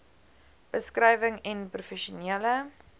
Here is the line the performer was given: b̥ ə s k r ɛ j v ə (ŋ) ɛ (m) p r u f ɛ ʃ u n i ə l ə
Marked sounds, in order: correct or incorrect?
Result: correct, incorrect: n

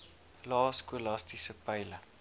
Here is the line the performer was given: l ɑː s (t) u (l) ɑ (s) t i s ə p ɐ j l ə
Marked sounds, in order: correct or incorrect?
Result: incorrect: k, correct, correct

